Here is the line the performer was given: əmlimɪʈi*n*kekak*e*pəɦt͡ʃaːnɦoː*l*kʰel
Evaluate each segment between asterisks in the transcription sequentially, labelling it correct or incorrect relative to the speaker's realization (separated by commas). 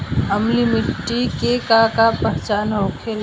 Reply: incorrect, incorrect, incorrect